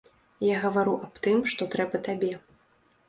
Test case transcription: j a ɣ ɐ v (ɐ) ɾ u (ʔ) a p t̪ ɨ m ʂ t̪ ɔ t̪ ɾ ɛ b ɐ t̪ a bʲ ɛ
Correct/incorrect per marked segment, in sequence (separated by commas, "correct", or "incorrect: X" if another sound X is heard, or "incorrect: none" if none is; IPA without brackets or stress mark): incorrect: a, correct